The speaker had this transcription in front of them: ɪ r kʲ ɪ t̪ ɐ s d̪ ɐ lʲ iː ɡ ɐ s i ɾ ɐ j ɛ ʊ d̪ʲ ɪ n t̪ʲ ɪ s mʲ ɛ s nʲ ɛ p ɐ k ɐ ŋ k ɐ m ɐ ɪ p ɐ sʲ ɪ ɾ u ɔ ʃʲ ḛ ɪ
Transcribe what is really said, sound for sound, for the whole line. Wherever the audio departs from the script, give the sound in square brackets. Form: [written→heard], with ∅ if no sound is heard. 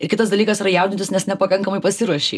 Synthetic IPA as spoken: ɪ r kʲ ɪ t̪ ɐ s d̪ ɐ lʲ iː [ɡ→k] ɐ s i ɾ ɐ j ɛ ʊ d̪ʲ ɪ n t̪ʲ ɪ s [mʲ→nʲ] ɛ s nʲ ɛ p ɐ k ɐ ŋ k ɐ m ɐ ɪ p ɐ sʲ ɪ ɾ u ɔ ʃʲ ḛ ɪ

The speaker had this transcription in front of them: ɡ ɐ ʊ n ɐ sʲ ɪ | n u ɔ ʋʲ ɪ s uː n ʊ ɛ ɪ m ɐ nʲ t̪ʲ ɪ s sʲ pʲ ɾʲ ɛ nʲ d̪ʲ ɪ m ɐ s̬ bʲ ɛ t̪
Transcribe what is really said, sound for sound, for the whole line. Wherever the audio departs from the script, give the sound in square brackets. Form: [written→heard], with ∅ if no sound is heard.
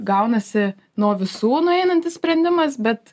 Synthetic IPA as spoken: ɡ ɐ ʊ n ɐ sʲ ɪ | n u ɔ ʋʲ ɪ s uː n ʊ ɛ ɪ [m→n] ɐ nʲ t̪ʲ ɪ s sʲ pʲ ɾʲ ɛ nʲ d̪ʲ ɪ m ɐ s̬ bʲ ɛ t̪

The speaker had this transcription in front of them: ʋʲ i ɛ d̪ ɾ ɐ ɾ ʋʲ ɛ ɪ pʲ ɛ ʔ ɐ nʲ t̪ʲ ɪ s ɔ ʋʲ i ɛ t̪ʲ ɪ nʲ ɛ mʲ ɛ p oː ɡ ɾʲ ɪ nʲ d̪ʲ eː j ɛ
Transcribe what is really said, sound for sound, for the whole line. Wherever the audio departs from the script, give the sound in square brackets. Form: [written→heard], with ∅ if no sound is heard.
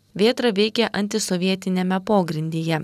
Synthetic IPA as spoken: ʋʲ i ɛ [d̪→t̪] ɾ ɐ [ɾ→∅] ʋʲ ɛ ɪ [pʲ→kʲ] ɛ ʔ ɐ nʲ t̪ʲ ɪ s ɔ ʋʲ i ɛ t̪ʲ ɪ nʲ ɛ mʲ ɛ p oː ɡ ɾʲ ɪ nʲ d̪ʲ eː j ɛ

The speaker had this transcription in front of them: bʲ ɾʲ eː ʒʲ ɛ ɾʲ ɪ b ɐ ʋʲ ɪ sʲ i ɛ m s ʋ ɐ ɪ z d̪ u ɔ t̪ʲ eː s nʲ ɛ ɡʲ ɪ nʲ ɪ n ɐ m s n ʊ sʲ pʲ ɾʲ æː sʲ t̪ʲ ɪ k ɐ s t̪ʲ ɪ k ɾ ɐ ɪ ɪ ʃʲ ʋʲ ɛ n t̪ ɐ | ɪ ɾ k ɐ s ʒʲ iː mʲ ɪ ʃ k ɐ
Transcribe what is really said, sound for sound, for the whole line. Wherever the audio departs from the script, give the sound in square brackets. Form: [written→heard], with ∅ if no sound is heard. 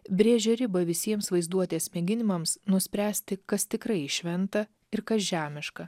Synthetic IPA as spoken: bʲ ɾʲ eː ʒʲ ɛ ɾʲ ɪ b ɐ ʋʲ ɪ sʲ i ɛ m s ʋ ɐ ɪ z d̪ u ɔ t̪ʲ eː s [nʲ→mʲ] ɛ ɡʲ ɪ nʲ ɪ [n→m] ɐ m s n ʊ sʲ pʲ ɾʲ æː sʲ t̪ʲ ɪ k ɐ s t̪ʲ ɪ k ɾ ɐ ɪ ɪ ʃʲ ʋʲ ɛ n t̪ ɐ | ɪ ɾ k ɐ s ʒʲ [iː→æː] mʲ ɪ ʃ k ɐ

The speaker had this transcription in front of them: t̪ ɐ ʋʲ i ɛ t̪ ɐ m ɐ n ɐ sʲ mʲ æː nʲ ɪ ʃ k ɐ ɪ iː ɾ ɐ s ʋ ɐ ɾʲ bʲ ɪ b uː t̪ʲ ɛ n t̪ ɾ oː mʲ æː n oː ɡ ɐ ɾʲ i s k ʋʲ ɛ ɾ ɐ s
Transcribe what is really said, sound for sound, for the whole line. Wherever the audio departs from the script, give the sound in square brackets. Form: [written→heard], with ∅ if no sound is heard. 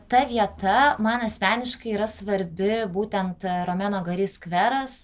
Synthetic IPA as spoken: t̪ ɐ ʋʲ i ɛ t̪ ɐ m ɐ n ɐ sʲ mʲ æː nʲ ɪ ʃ k ɐ ɪ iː ɾ ɐ s ʋ ɐ ɾʲ bʲ ɪ b uː t̪ʲ ɛ n t̪ ɾ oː mʲ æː n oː ɡ ɐ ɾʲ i s k ʋʲ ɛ ɾ ɐ s

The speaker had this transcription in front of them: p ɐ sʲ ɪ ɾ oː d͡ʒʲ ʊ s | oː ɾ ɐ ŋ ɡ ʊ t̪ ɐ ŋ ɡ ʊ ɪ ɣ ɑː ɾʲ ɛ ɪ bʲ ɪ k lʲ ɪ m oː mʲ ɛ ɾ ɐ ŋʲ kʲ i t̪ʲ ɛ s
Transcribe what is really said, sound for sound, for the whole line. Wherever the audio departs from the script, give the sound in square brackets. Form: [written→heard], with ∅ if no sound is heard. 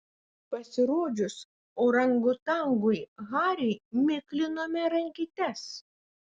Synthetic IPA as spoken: p ɐ sʲ ɪ ɾ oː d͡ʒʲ ʊ s | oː ɾ ɐ ŋ ɡ ʊ t̪ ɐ ŋ ɡ ʊ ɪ ɣ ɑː ɾʲ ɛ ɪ [bʲ→mʲ] ɪ k lʲ ɪ [m→n] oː mʲ ɛ ɾ ɐ ŋʲ kʲ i t̪ʲ ɛ s

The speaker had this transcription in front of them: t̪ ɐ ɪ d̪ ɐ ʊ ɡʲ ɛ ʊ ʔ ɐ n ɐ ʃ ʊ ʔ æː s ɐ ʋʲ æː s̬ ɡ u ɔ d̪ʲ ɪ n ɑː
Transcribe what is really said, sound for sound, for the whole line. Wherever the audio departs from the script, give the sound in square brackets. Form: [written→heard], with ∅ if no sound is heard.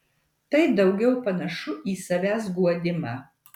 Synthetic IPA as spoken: t̪ ɐ ɪ d̪ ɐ ʊ ɡʲ ɛ ʊ [ʔ→p] ɐ n ɐ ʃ ʊ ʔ [æː→iː] s ɐ ʋʲ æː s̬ ɡ u ɔ d̪ʲ ɪ [n→m] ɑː

